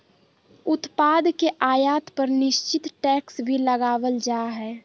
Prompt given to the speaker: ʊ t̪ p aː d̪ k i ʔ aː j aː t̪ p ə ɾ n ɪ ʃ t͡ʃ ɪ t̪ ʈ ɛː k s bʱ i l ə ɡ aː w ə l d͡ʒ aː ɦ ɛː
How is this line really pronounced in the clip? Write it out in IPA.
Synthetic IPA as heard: ʊ t̪ p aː d̪ k e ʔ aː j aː t̪ p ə ɾ n ɪ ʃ t͡ʃ ɪ t̪ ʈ ɛː k s bʱ i l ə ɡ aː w ə l d͡ʒ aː ɦ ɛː